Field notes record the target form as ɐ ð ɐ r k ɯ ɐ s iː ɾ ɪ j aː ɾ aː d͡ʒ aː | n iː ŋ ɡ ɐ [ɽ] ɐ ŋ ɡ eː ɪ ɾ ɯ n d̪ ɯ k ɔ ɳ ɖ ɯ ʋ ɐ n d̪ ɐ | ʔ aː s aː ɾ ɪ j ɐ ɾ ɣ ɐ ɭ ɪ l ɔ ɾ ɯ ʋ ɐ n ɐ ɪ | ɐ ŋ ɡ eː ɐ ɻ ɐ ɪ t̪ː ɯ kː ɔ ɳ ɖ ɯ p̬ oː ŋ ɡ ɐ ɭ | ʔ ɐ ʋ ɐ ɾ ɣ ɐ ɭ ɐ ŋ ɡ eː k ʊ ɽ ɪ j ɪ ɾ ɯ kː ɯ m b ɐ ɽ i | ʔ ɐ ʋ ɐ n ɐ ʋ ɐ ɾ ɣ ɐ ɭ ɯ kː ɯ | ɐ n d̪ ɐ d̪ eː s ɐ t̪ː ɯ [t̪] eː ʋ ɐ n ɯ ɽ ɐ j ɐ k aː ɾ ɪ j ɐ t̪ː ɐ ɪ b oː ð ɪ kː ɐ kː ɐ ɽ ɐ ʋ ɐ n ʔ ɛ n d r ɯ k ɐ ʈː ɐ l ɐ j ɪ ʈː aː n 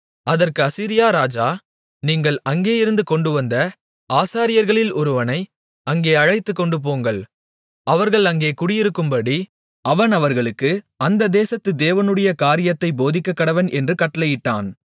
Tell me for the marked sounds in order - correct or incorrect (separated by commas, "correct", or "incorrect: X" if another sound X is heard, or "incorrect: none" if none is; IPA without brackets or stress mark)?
incorrect: ɭ, incorrect: d̪